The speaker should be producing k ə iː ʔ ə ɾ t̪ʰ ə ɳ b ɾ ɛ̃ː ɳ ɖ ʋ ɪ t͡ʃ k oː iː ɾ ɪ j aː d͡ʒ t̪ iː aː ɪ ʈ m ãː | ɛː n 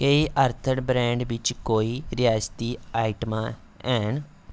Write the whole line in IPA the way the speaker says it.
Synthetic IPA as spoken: k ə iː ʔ ə ɾ t̪ʰ ə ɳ b ɾ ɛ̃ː ɳ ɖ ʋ ɪ t͡ʃ k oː iː ɾ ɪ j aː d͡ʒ t̪ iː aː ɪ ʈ m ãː | ɛː n

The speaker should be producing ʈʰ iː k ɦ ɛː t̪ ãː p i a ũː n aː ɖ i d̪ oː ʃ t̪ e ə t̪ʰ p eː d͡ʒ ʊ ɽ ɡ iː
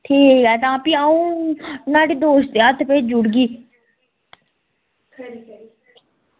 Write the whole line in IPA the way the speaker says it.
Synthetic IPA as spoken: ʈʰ iː k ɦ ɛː t̪ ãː p i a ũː n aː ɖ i d̪ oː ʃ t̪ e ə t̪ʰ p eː d͡ʒ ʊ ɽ ɡ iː

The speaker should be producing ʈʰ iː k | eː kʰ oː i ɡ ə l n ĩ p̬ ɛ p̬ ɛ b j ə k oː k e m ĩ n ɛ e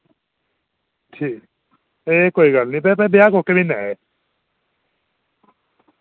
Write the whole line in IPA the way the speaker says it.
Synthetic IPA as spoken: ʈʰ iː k | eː k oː i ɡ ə l n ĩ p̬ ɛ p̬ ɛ b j a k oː k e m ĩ n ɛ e

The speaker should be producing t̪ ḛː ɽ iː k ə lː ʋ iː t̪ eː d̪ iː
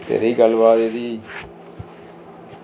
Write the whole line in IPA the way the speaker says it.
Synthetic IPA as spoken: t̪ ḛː ɾ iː ɡ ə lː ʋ aː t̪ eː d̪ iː

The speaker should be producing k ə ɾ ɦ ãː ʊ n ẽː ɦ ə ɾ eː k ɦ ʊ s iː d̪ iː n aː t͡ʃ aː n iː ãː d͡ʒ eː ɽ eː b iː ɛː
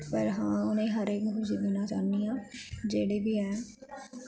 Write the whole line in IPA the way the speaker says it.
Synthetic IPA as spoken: p ə ɾ ɦ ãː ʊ n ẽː ɦ ə ɾ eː k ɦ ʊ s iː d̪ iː n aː t͡ʃ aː n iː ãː d͡ʒ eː ɽ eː b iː ɛː

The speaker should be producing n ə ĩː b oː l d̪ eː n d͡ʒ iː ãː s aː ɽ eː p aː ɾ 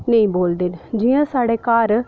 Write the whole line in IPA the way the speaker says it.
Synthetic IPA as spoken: n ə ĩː b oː l d̪ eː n d͡ʒ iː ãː s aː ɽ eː k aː ɾ

